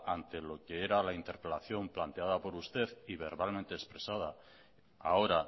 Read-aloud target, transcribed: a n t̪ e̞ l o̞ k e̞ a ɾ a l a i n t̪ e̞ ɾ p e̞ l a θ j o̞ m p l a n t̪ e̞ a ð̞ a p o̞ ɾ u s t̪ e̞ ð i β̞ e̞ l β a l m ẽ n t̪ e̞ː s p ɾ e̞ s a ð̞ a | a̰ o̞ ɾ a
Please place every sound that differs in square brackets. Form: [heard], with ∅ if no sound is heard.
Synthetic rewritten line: a n t̪ e̞ l o̞ k e̞ [e] ɾ a l a i n t̪ e̞ ɾ p e̞ l a θ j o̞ m p l a n t̪ e̞ a ð̞ a p o̞ ɾ u s t̪ e̞ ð i β̞ e̞ [ɾ] β a l m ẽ n t̪ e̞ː s p ɾ e̞ s a ð̞ a | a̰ o̞ ɾ a